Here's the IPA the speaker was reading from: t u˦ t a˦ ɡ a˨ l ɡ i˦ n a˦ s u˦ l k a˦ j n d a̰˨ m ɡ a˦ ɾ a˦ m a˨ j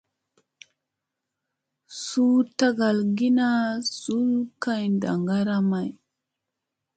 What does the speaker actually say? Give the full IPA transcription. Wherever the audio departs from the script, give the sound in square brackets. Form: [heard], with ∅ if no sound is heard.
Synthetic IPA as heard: [s] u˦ t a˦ ɡ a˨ l ɡ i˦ n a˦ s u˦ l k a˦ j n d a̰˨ [ŋ] ɡ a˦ ɾ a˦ m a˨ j